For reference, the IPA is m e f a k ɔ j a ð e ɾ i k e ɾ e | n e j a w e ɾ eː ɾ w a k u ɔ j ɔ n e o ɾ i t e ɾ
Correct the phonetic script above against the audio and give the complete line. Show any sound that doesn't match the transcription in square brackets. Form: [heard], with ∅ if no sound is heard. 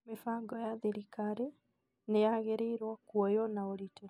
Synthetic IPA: m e f a [ɡ] ɔ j a ð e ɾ i k [a] ɾ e | n e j a [ɣ] e ɾ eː ɾ w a k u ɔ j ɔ n [a] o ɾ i t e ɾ